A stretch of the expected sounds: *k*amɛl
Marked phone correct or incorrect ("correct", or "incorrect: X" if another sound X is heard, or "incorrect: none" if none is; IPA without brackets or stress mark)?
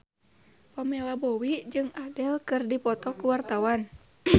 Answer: incorrect: p